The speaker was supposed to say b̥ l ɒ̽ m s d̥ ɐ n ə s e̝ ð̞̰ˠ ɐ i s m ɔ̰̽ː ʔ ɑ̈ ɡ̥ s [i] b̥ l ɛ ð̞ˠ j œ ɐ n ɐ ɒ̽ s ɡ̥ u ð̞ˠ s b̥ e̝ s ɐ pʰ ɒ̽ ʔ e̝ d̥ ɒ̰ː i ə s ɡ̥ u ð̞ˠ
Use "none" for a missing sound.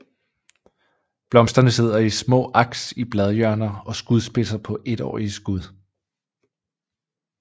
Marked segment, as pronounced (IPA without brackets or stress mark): i